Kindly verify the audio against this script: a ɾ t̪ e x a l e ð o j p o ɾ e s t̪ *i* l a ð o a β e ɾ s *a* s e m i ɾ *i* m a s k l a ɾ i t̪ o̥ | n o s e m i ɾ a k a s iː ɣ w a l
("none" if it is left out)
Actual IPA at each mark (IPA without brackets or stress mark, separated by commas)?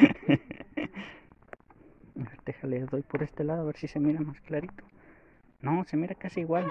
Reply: e, i, a